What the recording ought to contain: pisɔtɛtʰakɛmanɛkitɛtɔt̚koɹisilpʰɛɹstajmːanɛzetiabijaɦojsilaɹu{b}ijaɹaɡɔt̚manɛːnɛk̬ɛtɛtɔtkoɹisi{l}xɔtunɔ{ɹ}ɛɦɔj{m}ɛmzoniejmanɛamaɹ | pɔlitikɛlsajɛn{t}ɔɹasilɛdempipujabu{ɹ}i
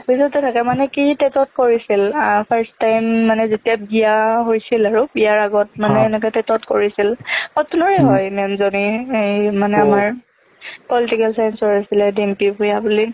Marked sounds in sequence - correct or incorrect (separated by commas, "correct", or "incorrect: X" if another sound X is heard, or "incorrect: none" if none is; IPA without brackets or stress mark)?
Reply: correct, correct, correct, correct, incorrect: s, incorrect: l